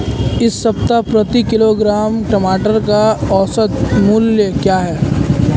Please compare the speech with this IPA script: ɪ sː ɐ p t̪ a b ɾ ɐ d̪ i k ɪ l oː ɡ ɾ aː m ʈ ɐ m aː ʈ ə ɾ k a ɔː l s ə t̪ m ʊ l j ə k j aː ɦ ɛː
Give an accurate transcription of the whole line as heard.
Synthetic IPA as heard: ɪ sː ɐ p t̪ a p ɾ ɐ t̪ i k ɪ l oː ɡ ɾ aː m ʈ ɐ m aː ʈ ə ɾ k a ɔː s ə t̪ m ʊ l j ə k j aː ɦ ɛː